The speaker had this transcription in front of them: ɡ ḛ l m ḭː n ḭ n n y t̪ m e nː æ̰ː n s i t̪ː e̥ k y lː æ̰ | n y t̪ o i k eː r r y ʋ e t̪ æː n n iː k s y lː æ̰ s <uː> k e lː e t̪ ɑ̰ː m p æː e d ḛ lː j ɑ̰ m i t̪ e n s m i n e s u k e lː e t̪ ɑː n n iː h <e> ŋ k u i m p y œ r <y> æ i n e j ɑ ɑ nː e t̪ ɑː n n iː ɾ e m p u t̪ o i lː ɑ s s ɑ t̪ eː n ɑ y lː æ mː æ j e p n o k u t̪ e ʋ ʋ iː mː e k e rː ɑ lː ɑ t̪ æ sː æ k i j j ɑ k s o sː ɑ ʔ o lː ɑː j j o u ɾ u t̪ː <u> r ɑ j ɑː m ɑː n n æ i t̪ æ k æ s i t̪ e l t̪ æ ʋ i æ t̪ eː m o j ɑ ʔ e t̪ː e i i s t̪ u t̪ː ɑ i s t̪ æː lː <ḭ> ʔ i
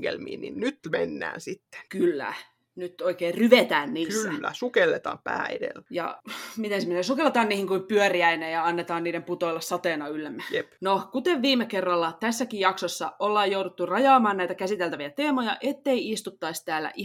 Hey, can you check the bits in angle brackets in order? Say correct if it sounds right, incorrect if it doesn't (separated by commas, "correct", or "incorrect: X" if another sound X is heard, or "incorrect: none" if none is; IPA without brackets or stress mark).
incorrect: u, incorrect: i, incorrect: i, correct, incorrect: æ̰